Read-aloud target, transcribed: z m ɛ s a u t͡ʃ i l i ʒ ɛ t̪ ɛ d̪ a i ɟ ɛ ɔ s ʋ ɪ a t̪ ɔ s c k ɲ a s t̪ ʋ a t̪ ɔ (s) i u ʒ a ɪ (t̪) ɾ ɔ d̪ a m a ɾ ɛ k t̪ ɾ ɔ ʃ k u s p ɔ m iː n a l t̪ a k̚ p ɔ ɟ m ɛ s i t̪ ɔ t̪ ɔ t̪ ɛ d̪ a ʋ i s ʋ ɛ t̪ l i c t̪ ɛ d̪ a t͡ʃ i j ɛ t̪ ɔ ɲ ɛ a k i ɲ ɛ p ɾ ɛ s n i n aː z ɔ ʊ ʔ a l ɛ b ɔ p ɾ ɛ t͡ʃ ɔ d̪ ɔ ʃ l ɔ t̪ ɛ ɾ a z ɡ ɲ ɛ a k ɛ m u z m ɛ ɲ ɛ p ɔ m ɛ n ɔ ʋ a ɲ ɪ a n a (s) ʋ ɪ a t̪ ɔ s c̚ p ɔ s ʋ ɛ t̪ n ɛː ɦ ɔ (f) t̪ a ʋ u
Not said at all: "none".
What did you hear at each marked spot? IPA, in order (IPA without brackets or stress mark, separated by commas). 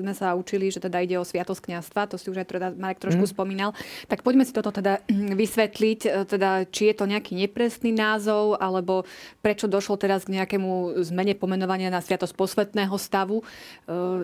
s, t̪, s, s